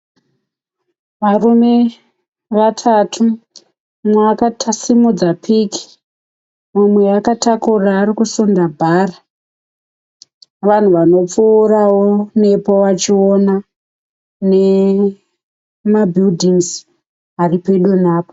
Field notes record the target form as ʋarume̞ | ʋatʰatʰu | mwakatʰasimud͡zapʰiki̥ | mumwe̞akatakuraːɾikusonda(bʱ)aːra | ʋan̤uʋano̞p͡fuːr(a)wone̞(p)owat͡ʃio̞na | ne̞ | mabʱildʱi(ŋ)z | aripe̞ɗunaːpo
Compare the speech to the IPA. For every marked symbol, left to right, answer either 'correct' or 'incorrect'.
correct, correct, correct, correct

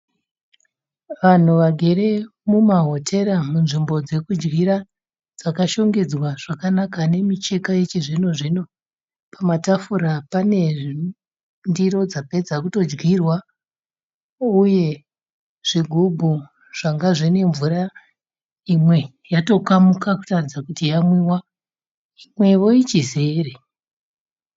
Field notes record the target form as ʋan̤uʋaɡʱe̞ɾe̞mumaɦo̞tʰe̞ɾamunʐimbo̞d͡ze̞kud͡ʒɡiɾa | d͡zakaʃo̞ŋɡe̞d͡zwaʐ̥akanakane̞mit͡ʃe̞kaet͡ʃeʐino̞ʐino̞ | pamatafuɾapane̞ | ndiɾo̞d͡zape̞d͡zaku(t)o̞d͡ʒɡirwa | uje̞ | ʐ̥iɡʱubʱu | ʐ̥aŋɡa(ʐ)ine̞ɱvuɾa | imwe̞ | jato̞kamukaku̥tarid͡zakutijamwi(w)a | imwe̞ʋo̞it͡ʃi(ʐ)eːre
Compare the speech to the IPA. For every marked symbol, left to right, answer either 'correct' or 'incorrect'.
correct, correct, correct, incorrect: z

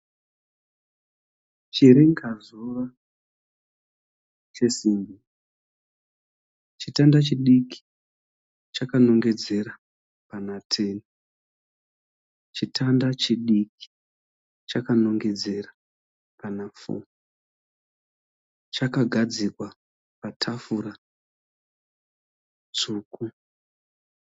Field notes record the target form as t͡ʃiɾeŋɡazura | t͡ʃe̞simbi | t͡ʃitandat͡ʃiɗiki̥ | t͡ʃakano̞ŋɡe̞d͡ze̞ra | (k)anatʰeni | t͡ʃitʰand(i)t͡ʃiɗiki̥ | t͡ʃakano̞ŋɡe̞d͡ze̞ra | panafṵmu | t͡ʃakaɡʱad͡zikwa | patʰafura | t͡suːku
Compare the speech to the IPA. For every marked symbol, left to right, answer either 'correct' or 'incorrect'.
incorrect: p, incorrect: a

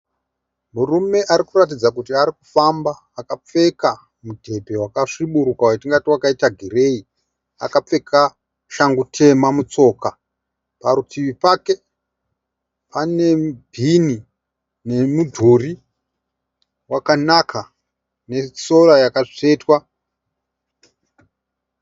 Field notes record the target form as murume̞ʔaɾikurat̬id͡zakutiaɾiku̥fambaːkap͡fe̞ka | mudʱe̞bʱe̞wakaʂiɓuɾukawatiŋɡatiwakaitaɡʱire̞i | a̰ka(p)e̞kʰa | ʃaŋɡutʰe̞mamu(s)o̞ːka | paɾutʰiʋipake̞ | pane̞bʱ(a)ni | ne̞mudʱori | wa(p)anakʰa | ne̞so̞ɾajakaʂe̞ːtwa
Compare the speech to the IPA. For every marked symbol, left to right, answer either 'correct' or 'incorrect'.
incorrect: p͡f, incorrect: t͡s, incorrect: i, incorrect: k

